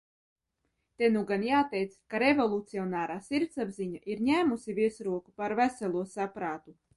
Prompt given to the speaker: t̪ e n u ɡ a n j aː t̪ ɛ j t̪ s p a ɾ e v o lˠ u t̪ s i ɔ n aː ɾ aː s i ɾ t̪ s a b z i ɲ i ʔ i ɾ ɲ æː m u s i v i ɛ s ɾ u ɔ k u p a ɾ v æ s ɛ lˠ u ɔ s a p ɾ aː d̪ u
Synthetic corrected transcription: t̪ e n u ɡ a n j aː t̪ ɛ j t̪ s k a ɾ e v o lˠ u t̪ s i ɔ n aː ɾ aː s i ɾ t̪ s a b z i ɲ a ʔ i ɾ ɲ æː m u s i v i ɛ s ɾ u ɔ k u p a ɾ v æ s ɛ lˠ u ɔ s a p ɾ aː t̪ u